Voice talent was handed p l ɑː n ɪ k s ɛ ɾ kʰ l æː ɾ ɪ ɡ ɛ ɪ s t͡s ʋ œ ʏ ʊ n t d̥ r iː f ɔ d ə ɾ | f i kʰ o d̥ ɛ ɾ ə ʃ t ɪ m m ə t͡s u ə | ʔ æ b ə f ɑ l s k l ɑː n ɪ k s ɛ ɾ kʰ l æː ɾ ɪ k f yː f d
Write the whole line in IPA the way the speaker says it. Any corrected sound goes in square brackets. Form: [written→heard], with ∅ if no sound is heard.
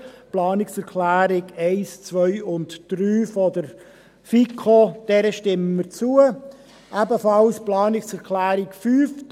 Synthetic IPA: p l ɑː n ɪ k s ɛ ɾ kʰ l æː ɾ ɪ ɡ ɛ ɪ s t͡s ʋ œ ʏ ʊ n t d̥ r [iː→yː] f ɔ d ə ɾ | f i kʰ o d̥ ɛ ɾ ə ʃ t ɪ m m ə t͡s u ə | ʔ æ b ə f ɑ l s [k→p] l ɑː n ɪ k s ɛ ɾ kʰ l æː ɾ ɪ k f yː f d

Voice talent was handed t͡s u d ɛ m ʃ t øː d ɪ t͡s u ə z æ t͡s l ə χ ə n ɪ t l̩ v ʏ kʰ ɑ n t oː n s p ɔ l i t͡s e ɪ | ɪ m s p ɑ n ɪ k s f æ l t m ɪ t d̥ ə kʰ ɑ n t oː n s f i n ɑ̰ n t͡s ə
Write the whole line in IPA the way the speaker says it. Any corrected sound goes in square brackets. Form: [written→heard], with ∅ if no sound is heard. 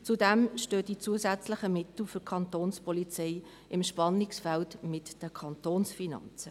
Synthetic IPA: t͡s u d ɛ m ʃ t øː d [ɪ→i] t͡s u ə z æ t͡s l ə χ ə [n→m] ɪ t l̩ [v→f] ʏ kʰ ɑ n t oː n s p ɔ l i t͡s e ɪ | ɪ m [s→ʃ] p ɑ n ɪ k s f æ l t m ɪ t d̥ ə kʰ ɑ n t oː n s f i n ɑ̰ n t͡s ə

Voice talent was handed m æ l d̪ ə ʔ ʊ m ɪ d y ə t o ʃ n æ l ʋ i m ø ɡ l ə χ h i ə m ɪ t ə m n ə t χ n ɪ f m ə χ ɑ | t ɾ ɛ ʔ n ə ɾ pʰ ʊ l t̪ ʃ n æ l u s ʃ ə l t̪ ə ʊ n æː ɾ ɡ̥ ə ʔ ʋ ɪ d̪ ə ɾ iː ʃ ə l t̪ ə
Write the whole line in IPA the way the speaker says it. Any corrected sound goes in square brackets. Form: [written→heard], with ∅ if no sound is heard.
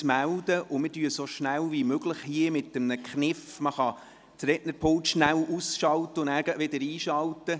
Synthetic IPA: m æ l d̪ ə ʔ ʊ m ɪ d y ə [t→s] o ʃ n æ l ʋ i m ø ɡ l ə χ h i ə m ɪ t ə m n ə [t→k] χ n ɪ f m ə χ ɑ | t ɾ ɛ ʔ n ə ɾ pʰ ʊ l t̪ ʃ n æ l u s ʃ [ə→ɑ] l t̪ ə ʊ n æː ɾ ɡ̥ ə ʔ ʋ ɪ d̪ ə ɾ iː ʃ [ə→ɑ] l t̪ ə

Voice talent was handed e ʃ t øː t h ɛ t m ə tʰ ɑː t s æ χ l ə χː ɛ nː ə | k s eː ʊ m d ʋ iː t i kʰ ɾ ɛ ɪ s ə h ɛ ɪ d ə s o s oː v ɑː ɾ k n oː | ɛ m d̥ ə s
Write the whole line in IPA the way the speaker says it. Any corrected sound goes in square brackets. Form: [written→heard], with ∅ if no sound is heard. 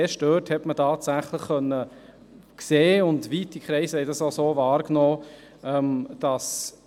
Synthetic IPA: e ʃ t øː t h ɛ t m ə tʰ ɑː t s æ χ l ə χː [ɛ→œ] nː ə | k s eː ʊ [m→n] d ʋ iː t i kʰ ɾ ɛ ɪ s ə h ɛ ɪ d [ə→ɑ] s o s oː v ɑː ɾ k n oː | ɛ m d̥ [ə→ɑ] s

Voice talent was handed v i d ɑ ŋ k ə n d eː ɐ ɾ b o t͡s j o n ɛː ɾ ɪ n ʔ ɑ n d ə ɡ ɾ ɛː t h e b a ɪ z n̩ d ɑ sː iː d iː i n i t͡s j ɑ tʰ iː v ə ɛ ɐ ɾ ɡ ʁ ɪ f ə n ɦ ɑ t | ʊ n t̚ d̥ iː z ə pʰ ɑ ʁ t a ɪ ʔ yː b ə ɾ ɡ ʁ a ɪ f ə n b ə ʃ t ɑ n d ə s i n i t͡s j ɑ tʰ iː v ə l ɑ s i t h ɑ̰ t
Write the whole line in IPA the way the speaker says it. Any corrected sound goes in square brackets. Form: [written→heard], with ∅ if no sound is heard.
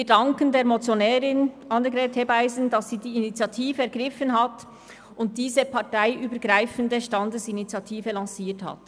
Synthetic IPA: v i d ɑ ŋ k ə n d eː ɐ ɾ [b→m] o t͡s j o n ɛː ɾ ɪ n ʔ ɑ n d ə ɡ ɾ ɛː t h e b a ɪ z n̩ d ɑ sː iː d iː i n i t͡s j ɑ tʰ iː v ə ɛ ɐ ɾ ɡ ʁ ɪ f ə n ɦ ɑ t | ʊ n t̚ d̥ iː z ə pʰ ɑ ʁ t a ɪ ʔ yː b ə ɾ ɡ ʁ a ɪ f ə n [b→d] ə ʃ t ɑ n d ə s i n i t͡s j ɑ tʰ iː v ə l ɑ s [i→iː] t h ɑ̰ t

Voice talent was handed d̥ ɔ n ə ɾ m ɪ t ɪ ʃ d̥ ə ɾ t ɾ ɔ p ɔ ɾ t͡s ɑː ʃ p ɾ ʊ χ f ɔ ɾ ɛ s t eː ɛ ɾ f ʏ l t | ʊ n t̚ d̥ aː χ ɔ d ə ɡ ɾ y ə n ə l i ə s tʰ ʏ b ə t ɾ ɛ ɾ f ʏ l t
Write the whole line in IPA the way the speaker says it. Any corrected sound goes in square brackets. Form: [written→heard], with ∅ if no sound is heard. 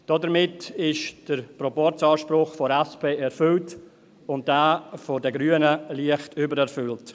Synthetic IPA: d̥ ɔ [n→d] ə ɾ m ɪ t ɪ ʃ d̥ ə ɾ [t→p] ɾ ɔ p ɔ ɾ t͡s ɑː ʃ p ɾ ʊ χ f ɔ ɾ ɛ s [t→p] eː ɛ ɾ f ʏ l t | ʊ n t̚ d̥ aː [χ→f] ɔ d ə ɡ ɾ y ə n ə l i ə [s→χ] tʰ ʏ b ə [t→∅] ɾ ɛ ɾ f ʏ l t

